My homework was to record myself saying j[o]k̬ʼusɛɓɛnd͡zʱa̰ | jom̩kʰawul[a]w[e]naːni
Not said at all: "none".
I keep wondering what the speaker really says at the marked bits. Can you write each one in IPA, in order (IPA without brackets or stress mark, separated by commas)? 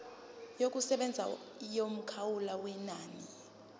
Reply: o, a, ɛ